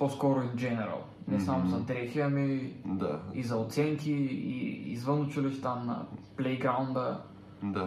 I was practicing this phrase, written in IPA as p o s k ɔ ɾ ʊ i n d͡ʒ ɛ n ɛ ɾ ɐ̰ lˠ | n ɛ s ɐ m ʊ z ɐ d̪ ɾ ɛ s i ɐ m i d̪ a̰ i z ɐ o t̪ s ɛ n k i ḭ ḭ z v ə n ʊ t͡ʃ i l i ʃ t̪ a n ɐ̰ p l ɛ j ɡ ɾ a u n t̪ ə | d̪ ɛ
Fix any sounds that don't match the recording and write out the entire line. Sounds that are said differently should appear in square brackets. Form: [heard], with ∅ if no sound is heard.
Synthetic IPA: p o s k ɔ ɾ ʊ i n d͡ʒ ɛ n ɛ ɾ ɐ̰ lˠ | n ɛ s [a] m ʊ z ɐ d̪ ɾ ɛ [x] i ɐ m i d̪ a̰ i z ɐ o t̪ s ɛ [ŋ] k i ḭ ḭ z v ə n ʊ t͡ʃ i l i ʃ t̪ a n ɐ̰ p l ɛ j ɡ ɾ a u n [d̪] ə | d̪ [a]